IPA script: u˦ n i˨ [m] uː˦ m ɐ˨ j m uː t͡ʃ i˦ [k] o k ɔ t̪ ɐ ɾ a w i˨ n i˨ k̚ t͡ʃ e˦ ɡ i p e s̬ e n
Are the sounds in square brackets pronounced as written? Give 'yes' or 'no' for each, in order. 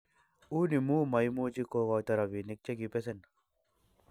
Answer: yes, yes

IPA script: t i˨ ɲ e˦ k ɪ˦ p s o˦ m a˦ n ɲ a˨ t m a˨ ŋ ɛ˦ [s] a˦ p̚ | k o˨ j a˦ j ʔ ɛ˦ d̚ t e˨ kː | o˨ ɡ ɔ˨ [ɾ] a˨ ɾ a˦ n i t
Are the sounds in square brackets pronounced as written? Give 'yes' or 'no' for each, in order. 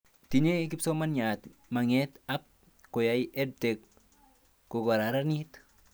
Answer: no, yes

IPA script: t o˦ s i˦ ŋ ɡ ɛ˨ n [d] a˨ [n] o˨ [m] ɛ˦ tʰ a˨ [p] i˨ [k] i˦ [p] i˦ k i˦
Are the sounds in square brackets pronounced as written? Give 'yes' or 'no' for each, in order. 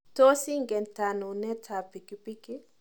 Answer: no, yes, no, yes, yes, yes

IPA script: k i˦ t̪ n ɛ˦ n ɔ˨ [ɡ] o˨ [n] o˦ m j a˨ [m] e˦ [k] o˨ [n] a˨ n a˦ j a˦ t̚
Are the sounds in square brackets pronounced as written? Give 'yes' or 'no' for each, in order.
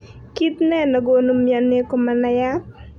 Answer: yes, yes, no, yes, no

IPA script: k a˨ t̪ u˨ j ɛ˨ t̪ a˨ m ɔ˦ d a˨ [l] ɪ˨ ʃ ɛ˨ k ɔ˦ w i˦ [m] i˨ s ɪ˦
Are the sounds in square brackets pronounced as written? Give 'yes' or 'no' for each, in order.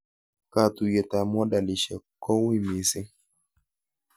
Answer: yes, yes

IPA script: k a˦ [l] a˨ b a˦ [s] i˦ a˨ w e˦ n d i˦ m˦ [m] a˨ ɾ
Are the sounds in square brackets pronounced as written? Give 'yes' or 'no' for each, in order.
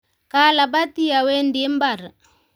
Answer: yes, no, no

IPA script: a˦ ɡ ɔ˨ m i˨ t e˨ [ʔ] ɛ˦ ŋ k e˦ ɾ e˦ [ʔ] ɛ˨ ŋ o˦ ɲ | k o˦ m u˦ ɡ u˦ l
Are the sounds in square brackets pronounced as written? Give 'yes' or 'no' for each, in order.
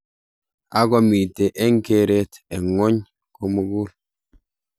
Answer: yes, no

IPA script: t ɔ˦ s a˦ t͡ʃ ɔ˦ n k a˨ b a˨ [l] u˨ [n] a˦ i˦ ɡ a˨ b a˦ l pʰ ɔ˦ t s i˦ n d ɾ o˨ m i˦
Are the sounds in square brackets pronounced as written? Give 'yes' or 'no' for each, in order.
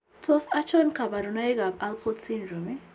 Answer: no, yes

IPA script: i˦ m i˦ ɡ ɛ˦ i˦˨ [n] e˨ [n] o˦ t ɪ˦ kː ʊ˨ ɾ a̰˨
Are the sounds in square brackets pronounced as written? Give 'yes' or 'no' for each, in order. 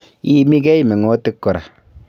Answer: no, no

